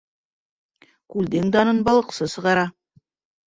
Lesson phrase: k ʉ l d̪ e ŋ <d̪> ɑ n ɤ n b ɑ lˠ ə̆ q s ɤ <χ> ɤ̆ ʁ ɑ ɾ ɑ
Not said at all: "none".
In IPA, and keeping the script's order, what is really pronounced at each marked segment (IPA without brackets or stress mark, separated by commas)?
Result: d̪, s